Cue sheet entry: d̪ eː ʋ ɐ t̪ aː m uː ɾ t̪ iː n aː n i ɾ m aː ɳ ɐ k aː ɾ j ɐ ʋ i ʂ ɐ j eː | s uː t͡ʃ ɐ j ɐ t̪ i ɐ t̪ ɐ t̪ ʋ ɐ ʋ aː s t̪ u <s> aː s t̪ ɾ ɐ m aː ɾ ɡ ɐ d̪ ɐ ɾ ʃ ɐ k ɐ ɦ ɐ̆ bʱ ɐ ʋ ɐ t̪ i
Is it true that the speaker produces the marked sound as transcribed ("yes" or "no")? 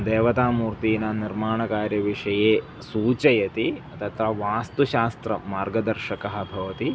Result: no